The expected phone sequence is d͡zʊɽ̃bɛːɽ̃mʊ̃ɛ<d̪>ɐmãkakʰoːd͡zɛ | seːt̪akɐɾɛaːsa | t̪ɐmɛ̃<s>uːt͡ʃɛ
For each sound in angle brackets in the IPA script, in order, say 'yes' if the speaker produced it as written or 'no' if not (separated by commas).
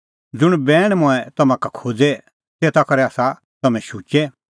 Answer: no, no